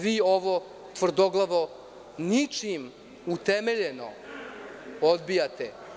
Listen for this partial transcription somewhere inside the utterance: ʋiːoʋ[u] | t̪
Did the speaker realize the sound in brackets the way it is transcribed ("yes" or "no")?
no